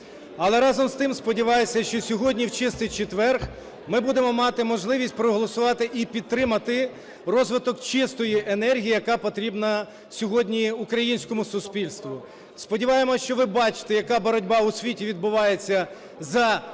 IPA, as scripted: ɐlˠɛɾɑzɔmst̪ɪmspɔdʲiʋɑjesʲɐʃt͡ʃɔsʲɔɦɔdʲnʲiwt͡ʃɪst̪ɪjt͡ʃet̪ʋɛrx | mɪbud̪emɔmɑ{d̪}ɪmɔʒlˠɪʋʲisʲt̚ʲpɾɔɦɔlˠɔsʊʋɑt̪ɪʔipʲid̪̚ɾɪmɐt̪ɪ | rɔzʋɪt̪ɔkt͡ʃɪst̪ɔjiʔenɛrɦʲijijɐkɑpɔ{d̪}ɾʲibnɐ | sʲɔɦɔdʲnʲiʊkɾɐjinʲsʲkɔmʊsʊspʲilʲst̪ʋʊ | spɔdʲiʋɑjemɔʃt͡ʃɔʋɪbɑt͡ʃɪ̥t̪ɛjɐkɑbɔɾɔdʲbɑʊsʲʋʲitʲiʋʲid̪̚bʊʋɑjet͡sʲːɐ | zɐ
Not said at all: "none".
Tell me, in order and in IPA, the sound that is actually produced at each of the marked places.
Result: t̪, t̪

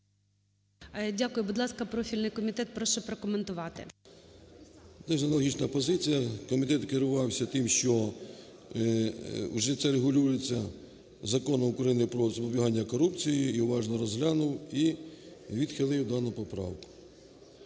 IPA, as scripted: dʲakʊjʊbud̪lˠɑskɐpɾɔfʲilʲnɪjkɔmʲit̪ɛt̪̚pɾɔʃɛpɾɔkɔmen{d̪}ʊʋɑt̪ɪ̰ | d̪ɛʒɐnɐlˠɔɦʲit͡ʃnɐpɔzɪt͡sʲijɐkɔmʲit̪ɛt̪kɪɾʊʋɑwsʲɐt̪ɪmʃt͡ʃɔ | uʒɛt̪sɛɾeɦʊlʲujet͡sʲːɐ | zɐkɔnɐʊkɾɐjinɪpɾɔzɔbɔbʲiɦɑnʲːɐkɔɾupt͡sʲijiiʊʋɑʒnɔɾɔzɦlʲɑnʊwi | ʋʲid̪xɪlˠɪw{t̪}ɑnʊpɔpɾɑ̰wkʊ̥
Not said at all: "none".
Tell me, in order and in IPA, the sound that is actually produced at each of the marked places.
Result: t̪, d̪

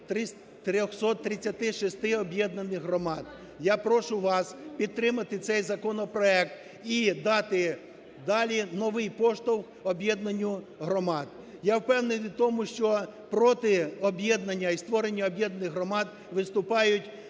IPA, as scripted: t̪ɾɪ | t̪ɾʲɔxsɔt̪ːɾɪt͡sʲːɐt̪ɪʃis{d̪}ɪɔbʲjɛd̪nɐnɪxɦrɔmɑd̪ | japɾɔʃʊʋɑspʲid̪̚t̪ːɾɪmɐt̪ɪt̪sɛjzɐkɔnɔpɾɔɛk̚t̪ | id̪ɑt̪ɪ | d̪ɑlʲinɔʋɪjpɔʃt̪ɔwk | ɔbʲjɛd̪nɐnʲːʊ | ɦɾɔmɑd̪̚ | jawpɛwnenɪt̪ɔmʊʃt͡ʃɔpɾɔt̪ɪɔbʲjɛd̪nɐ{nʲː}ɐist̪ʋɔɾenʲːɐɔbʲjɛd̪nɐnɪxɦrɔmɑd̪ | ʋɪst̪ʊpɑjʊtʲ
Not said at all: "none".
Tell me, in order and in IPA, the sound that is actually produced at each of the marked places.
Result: t̪, nʲː

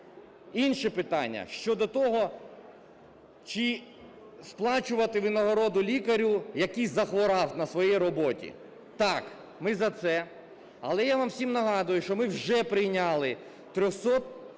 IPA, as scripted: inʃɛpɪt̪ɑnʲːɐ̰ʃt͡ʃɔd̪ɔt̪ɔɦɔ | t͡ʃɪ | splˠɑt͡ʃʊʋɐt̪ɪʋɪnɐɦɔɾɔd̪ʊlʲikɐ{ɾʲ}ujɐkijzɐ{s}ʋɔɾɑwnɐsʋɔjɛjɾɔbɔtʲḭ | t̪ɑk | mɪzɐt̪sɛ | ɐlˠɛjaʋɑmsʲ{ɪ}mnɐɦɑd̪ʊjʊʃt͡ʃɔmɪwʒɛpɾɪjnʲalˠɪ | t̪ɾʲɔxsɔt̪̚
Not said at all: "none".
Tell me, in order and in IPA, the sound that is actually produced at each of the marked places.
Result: ɾʲ, x, i

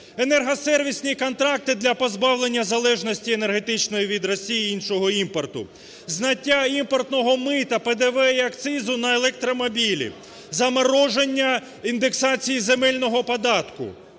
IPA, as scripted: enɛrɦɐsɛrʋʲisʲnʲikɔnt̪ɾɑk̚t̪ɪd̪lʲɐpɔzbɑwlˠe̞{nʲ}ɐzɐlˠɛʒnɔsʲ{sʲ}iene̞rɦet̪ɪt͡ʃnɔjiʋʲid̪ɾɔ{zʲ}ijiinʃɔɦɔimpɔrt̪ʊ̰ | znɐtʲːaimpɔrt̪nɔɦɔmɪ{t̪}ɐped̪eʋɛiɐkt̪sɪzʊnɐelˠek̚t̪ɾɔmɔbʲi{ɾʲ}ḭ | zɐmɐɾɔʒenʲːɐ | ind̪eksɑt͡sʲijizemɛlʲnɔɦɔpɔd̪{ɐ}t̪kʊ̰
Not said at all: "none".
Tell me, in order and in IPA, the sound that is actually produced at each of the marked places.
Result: nʲː, tʲ, sʲ, t̪, lʲ, ɑ

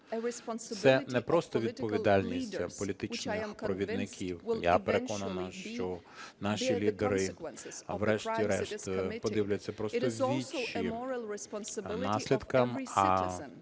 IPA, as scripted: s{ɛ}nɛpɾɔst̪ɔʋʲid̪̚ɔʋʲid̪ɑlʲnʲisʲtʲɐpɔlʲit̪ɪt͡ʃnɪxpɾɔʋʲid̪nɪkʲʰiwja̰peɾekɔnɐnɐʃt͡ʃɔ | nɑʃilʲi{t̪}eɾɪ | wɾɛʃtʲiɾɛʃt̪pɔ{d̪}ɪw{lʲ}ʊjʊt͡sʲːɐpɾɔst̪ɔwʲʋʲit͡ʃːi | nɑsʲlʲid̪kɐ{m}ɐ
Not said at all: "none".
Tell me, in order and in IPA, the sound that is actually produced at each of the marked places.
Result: ɛ, d̪, d̪, lʲ, m

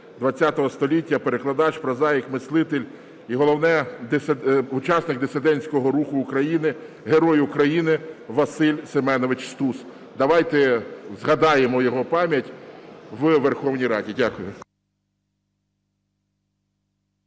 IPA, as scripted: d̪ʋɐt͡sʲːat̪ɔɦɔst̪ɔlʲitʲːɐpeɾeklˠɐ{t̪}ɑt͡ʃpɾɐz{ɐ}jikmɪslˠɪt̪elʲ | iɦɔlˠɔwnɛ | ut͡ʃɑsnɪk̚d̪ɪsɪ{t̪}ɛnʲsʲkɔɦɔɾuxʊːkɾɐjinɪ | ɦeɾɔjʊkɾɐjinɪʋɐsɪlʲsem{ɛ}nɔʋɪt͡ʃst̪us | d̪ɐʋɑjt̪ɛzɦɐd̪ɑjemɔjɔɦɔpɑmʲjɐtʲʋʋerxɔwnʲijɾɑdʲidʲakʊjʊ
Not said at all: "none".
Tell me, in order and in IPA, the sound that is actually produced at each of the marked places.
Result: d̪, ɑ, d̪, ɛ

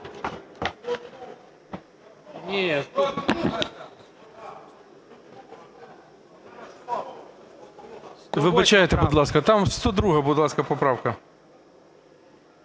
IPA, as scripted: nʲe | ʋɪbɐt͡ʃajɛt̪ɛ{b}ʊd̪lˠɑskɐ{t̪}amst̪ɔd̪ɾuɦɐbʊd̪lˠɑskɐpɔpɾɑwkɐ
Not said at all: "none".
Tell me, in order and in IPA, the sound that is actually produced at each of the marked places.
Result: b, t̪

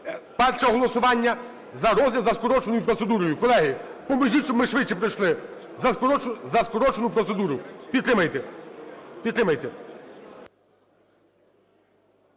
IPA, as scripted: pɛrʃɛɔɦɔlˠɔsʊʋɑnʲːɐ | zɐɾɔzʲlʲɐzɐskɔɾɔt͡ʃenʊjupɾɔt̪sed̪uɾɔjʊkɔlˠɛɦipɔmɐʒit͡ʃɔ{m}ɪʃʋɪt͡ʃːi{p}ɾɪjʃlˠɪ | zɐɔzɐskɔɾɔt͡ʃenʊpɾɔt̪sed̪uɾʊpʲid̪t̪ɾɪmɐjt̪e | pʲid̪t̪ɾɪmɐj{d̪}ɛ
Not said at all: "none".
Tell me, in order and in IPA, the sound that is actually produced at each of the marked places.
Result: m, p, t̪

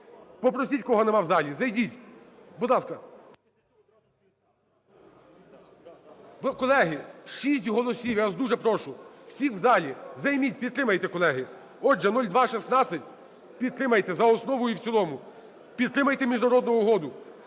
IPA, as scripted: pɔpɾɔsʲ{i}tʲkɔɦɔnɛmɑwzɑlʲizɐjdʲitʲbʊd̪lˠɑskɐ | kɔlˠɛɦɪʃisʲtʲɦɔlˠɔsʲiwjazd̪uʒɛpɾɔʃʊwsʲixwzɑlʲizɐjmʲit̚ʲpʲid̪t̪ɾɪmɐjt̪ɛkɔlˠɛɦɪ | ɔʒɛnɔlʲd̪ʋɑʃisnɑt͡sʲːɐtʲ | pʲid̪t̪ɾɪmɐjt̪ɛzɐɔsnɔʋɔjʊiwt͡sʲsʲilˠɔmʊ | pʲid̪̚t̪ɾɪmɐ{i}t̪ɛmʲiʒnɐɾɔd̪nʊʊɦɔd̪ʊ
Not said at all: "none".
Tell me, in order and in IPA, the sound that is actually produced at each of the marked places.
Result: i, j

